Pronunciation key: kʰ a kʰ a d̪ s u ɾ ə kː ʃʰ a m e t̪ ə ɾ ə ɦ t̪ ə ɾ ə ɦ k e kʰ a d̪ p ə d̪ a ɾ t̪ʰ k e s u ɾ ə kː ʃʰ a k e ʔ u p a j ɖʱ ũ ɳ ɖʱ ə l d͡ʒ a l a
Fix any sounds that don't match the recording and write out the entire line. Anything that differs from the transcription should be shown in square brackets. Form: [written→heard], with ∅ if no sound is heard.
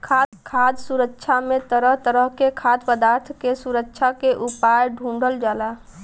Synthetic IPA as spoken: kʰ a kʰ a d̪ s u ɾ ə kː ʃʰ a m e t̪ ə ɾ ə ɦ t̪ ə ɾ ə ɦ k e kʰ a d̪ p ə d̪ a ɾ t̪ʰ k e s u ɾ ə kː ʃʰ a k e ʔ u p a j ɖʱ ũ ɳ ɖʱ ə l d͡ʒ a l a